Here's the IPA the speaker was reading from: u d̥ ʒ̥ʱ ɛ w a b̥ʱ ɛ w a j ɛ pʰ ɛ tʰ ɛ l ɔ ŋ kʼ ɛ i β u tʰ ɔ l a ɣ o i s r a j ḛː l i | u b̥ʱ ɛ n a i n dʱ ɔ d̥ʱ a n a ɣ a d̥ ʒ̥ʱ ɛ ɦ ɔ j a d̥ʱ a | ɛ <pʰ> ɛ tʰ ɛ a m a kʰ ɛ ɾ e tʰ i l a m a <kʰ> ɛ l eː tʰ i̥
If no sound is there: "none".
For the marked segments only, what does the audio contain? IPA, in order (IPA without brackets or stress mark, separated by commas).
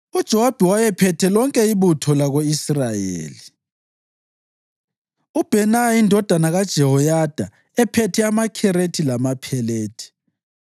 pʰ, pʰ